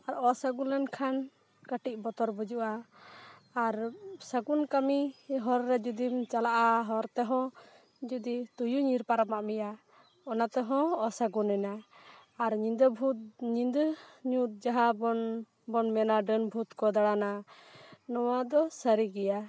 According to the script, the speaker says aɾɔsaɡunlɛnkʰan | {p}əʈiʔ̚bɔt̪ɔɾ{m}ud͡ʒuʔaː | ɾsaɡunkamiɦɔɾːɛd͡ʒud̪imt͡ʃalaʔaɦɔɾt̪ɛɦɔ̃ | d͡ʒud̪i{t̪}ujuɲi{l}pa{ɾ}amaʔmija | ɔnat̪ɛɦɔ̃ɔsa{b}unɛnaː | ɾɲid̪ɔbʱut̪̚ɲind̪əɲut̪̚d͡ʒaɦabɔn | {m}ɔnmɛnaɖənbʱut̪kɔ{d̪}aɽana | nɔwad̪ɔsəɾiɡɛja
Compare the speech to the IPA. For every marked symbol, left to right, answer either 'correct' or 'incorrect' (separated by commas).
incorrect, incorrect, correct, incorrect, correct, incorrect, incorrect, correct